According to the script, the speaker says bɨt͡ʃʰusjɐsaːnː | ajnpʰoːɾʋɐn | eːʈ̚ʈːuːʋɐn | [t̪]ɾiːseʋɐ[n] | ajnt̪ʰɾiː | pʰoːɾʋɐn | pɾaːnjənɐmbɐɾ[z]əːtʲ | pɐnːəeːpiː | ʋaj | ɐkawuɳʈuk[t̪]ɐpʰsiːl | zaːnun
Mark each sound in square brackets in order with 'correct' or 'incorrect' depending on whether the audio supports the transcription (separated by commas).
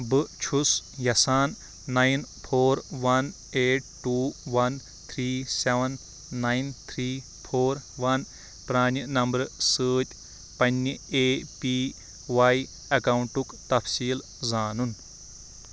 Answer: incorrect, incorrect, incorrect, correct